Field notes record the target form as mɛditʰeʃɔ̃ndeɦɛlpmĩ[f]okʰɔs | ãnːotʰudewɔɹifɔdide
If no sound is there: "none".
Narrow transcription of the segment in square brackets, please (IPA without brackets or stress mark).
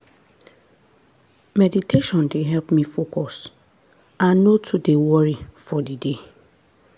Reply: f